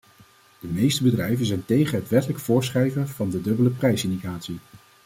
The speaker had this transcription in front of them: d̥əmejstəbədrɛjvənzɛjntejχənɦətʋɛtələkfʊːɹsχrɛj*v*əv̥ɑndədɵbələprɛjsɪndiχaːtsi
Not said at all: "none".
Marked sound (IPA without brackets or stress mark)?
v